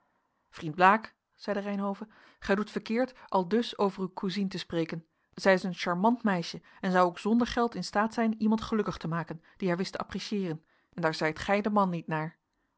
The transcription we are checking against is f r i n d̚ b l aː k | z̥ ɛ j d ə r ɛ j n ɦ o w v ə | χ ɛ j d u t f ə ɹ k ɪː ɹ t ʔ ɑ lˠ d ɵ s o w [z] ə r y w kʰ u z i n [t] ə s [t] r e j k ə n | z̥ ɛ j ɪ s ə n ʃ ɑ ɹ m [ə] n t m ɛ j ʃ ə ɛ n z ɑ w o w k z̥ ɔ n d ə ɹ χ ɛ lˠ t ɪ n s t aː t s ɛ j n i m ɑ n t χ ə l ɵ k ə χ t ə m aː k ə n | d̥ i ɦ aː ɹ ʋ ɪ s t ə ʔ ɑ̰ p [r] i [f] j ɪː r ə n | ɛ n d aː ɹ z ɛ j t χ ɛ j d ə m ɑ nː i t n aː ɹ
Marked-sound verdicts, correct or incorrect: incorrect: v, correct, incorrect: p, incorrect: ɑ, correct, incorrect: ʃ

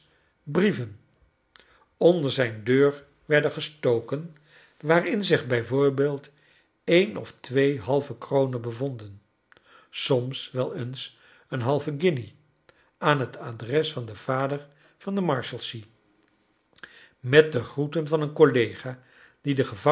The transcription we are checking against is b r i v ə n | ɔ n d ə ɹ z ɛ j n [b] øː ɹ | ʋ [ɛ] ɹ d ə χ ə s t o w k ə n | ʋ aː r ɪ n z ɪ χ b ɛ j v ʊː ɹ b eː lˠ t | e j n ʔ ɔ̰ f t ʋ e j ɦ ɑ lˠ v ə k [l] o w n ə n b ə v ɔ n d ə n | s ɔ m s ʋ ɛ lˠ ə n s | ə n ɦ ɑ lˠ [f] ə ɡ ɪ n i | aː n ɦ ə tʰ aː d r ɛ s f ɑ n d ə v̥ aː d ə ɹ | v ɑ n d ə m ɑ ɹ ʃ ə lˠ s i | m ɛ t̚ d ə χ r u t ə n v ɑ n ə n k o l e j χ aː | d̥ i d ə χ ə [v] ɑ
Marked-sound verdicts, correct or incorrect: incorrect: d, correct, incorrect: r, incorrect: v, correct

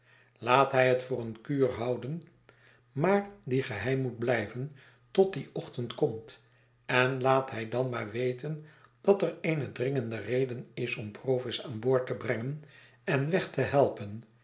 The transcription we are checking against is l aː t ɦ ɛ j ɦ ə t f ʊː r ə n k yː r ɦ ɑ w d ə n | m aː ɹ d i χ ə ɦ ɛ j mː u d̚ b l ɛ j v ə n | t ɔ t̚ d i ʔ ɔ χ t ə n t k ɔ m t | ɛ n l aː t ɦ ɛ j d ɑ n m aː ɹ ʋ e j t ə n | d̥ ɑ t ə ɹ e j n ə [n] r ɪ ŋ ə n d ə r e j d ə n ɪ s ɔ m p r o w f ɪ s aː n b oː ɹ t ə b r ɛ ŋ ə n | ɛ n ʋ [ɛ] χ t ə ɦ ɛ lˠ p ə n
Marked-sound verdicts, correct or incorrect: incorrect: d, correct

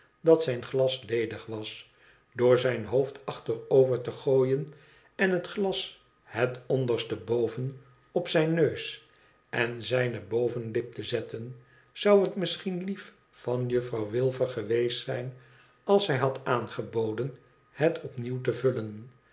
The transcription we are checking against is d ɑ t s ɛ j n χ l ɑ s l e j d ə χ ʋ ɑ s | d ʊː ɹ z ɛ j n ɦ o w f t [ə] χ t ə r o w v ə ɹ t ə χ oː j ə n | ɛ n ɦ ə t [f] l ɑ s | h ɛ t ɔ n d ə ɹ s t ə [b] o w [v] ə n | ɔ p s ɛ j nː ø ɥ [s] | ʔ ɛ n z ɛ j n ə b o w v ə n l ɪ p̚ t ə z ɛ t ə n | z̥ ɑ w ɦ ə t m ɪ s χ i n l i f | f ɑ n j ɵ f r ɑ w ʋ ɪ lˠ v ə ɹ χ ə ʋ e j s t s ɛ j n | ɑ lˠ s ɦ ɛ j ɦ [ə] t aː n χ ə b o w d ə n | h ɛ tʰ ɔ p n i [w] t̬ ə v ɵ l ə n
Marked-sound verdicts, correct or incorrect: incorrect: ɑ, incorrect: χ, correct, correct, correct, incorrect: ɑ, correct

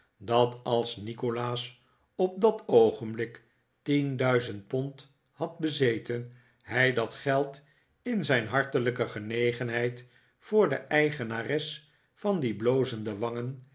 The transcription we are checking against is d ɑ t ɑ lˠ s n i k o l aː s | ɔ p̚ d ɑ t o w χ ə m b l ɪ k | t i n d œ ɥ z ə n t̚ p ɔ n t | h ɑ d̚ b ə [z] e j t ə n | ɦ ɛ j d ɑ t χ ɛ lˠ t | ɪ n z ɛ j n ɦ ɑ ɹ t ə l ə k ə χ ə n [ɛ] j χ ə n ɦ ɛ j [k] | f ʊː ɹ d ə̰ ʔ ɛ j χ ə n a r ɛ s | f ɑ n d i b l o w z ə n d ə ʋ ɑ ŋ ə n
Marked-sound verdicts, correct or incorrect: correct, incorrect: e, incorrect: t

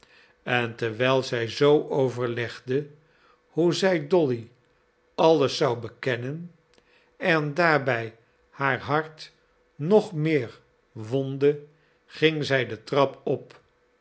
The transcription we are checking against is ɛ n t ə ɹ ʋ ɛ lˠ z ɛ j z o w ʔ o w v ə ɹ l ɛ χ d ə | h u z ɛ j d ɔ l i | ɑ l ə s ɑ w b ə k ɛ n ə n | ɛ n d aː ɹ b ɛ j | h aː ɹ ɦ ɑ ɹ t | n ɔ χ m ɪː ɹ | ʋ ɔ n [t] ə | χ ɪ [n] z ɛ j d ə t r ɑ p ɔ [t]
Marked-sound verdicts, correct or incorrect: incorrect: d, incorrect: ŋ, incorrect: p

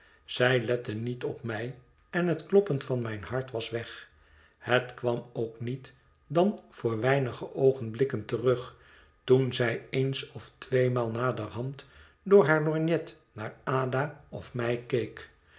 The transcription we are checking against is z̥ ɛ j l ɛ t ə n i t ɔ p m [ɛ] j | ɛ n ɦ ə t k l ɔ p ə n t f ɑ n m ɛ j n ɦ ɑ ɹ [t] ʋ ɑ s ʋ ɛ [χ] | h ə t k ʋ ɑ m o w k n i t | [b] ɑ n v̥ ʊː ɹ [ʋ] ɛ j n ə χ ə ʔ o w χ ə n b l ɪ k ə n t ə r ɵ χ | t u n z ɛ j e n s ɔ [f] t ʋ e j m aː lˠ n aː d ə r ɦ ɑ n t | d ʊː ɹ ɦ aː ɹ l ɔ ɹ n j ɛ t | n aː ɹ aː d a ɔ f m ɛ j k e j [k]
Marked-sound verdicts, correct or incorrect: correct, correct, correct, incorrect: d, correct, correct, correct

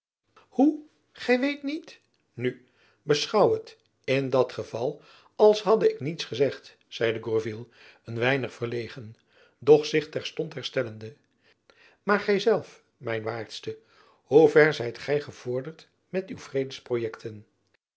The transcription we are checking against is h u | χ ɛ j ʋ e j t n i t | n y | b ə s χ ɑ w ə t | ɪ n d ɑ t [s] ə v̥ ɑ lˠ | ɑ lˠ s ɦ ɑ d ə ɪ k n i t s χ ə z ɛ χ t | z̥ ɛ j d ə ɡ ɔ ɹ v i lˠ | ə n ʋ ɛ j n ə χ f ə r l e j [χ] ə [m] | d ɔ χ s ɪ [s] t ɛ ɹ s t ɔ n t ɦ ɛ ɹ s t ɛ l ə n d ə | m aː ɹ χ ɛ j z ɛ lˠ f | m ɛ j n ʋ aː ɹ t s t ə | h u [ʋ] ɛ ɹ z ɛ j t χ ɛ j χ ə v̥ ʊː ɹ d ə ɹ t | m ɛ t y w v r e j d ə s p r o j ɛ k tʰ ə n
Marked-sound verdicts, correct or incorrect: incorrect: χ, correct, incorrect: n, incorrect: χ, incorrect: v

